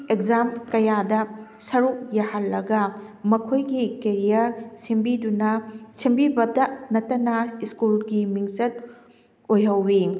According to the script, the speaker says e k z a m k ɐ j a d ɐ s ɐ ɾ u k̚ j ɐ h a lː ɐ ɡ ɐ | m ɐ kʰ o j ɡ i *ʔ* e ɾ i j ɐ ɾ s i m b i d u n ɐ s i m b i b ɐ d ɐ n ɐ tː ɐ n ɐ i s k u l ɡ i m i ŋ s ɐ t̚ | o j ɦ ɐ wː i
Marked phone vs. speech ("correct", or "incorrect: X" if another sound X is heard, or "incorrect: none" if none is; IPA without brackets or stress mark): incorrect: k